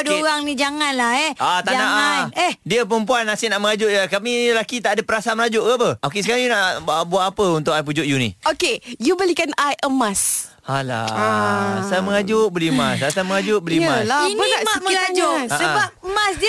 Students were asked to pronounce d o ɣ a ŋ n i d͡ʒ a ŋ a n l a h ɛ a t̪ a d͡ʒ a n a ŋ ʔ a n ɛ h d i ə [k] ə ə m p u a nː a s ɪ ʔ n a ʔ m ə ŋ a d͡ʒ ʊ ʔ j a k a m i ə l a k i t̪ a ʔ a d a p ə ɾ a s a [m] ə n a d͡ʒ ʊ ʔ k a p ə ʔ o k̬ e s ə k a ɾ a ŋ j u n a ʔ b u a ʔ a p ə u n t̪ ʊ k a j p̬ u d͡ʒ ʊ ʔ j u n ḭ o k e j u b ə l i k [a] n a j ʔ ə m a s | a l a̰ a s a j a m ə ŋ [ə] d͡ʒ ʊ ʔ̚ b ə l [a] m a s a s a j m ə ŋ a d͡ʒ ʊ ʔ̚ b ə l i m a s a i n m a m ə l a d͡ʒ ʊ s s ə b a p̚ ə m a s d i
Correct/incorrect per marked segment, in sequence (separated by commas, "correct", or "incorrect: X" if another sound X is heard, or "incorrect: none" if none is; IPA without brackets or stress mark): incorrect: p, correct, correct, incorrect: a, incorrect: i